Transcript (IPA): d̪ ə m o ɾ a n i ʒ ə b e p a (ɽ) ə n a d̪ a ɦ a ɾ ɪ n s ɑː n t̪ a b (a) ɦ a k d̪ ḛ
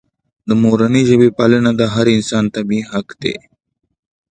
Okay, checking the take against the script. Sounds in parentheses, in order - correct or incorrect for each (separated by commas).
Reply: incorrect, incorrect